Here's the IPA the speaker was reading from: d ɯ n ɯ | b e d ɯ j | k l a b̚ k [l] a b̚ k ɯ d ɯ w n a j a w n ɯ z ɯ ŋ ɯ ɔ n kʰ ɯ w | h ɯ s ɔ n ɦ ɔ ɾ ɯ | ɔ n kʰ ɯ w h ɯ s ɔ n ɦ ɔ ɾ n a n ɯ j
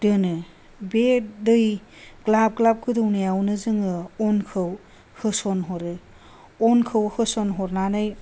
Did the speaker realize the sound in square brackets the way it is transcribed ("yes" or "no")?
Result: yes